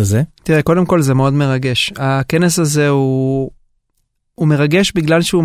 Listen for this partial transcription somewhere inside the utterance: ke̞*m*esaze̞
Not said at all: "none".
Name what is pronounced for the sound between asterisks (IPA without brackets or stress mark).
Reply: n